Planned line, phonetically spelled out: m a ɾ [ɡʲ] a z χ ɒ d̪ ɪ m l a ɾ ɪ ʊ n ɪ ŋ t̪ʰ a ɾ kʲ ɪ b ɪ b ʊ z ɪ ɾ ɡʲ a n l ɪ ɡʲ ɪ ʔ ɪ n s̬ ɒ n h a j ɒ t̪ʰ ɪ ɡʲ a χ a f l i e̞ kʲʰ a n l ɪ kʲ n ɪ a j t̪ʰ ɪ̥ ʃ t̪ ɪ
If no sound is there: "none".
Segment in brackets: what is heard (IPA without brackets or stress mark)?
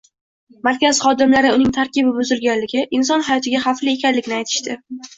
kʲ